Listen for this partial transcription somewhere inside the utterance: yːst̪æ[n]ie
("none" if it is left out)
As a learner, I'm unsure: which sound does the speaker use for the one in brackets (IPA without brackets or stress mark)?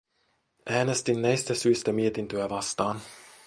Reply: m